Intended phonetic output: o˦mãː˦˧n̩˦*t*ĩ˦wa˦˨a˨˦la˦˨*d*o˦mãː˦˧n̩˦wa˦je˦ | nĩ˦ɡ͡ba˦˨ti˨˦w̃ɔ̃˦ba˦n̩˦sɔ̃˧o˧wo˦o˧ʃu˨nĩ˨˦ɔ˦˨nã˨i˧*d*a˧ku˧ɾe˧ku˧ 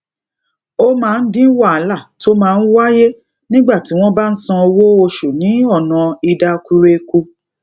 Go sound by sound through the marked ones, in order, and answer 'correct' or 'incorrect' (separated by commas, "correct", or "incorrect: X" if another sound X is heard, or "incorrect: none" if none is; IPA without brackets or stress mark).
incorrect: d, incorrect: t, correct